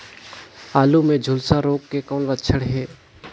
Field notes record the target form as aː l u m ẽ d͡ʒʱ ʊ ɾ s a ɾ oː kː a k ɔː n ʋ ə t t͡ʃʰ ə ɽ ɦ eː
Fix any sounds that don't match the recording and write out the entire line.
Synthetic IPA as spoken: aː l u m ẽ d͡ʒʱ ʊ l s a ɾ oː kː e k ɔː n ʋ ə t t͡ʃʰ ə ɽ ɦ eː

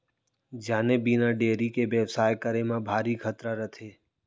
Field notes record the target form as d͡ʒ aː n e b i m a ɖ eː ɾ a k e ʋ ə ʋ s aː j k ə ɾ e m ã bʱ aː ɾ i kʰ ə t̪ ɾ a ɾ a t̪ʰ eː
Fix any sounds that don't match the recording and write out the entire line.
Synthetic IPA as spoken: d͡ʒ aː n e b i n a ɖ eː ɾ i k e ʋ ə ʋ s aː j k ə ɾ e m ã bʱ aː ɾ i kʰ ə t̪ ɾ a ɾ ə t̪ʰ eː

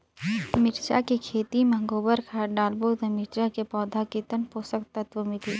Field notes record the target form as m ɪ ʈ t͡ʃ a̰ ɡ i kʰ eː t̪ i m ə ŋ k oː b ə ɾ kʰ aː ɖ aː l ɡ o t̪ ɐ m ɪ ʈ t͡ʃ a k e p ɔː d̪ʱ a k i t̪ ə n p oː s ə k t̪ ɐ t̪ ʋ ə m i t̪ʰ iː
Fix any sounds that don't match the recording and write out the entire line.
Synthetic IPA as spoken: m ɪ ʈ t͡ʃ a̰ k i kʰ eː t̪ i m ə ŋ ɡ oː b ə ɾ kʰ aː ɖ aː l b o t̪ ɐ m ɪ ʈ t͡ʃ a k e p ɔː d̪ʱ a k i t̪ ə n p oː s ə k t̪ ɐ t̪ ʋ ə m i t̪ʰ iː

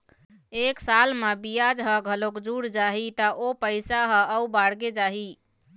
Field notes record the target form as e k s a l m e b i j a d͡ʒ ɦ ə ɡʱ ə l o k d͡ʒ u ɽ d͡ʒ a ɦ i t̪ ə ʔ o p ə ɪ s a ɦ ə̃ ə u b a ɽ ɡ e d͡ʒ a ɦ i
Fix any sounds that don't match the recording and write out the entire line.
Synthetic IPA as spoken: e k s a l m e b i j a d͡ʒ ɦ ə ɡʱ ə l o k d͡ʒ u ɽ d͡ʒ a ɦ i t̪ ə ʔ o p ə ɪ s a ɦ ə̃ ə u b a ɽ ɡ e d͡ʒ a ɦ i

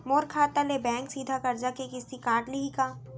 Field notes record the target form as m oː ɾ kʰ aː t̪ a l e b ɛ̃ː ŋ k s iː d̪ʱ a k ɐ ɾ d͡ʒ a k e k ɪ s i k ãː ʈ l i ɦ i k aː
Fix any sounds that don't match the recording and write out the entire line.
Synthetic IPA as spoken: m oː ɾ kʰ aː t̪ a l e b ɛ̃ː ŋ k s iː d̪ʱ a k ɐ ɾ d͡ʒ a k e k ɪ s i k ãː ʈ l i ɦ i k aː

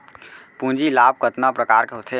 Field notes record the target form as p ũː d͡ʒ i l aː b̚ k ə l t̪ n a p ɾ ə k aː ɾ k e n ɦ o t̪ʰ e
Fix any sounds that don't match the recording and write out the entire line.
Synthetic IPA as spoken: p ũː d͡ʒ i l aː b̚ k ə t̪ n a p ɾ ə k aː ɾ k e ɦ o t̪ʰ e

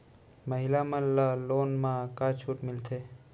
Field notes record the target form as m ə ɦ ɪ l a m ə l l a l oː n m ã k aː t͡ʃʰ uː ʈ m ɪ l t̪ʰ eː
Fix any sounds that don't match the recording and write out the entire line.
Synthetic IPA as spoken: m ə ɦ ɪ l a m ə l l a l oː n m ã k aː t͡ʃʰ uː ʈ m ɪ l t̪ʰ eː

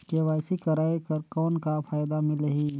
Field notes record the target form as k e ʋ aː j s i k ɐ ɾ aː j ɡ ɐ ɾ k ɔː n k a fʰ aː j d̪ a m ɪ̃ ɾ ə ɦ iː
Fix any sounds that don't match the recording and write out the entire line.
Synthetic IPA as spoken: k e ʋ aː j s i k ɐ ɾ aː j k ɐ ɾ k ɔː n k a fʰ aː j d̪ a m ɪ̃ l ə ɦ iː

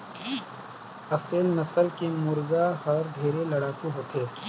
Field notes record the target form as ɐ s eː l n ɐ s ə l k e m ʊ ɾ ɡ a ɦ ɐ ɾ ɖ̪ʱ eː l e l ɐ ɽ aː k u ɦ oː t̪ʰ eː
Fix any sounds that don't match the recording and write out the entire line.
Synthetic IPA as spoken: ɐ s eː l n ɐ s ə l k e m ʊ ɾ ɡ a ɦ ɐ ɾ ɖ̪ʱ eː ɾ e l ɐ ɽ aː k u ɦ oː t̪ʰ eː

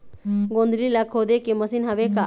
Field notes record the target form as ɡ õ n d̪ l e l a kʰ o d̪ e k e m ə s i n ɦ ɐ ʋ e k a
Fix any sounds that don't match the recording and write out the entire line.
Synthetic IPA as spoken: ɡ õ n d̪ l i l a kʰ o d̪ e k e m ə s i n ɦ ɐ ʋ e k a

